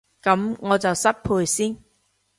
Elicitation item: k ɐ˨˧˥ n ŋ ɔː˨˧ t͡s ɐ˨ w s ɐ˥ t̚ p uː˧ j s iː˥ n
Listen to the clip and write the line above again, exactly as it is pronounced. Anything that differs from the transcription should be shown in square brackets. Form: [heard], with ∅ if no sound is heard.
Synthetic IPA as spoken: k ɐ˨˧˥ [m] ŋ ɔː˨˧ t͡s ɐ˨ w s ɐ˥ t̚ [pʰ] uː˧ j s iː˥ n